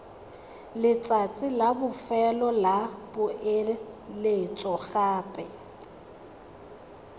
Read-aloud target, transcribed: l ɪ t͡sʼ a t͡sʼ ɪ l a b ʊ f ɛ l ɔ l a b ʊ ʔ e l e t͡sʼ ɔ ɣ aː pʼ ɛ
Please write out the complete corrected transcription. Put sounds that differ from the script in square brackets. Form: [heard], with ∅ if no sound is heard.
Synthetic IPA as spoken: l ɪ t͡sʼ a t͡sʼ ɪ l a b ʊ f ɛ l ɔ l a b ʊ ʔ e l e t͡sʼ ɔ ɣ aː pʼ ɛ